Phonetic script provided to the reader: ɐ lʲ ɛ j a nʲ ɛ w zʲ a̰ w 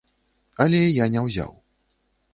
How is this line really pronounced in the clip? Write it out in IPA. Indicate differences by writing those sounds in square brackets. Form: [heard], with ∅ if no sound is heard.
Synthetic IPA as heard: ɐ lʲ ɛ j a nʲ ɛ w zʲ a̰ w